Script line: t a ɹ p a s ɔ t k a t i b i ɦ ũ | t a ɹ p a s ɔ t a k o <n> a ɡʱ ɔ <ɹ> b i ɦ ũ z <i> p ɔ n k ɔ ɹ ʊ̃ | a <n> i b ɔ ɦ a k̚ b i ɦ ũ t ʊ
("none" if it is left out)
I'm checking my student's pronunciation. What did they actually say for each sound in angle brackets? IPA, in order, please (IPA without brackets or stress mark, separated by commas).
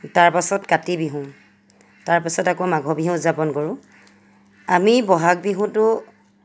m, none, a, m